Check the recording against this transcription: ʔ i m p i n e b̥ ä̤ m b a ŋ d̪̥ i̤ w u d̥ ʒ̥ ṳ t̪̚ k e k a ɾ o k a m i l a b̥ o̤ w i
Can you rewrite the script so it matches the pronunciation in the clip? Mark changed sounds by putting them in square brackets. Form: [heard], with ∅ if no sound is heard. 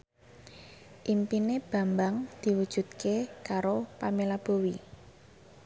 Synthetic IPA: ʔ i m p i n e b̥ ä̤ m b a ŋ d̪̥ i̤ w u d̥ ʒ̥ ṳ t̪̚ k e k a ɾ o [p] a m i l a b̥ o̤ w i

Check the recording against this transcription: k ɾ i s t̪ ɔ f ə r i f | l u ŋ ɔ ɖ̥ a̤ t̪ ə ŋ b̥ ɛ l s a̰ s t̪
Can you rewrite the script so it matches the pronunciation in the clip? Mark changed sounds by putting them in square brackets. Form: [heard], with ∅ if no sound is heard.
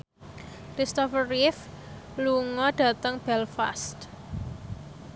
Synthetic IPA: k ɾ i s t̪ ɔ f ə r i f | l u ŋ ɔ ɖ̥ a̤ t̪ ə ŋ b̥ ɛ l [f] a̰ s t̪

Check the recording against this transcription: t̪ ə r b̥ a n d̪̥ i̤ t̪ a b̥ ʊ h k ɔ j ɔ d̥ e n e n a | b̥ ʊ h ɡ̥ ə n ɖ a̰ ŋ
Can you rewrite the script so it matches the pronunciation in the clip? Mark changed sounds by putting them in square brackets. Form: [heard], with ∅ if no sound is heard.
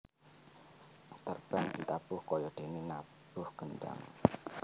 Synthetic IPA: t̪ ə r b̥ a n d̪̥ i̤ t̪ a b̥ ʊ h k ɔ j ɔ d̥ e n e n a | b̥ ʊ h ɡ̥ ə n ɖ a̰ ŋ

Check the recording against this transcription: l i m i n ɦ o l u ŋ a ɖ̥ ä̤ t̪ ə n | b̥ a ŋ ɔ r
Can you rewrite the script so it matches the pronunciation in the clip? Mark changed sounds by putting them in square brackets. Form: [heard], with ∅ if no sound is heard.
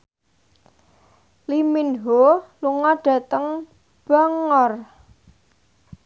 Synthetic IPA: l i m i n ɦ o l u ŋ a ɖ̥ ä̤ t̪ ə [ŋ] | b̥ a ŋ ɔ r

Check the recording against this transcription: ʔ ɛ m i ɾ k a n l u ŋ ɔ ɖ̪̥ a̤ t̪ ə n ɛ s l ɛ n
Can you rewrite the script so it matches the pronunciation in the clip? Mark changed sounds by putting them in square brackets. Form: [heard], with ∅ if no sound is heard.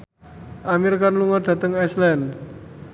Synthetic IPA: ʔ [a] m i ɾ k a n l u ŋ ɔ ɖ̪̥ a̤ t̪ ə [ŋ] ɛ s l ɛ n

